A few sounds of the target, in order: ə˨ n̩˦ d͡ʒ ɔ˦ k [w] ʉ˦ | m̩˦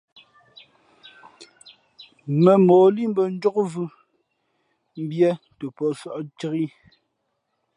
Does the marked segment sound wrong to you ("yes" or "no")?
yes